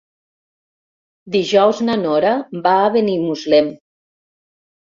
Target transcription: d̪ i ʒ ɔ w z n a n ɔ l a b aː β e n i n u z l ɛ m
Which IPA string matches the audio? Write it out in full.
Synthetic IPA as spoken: d̪ i ʒ ɔ w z n a n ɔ ɾ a b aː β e n i m u z l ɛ m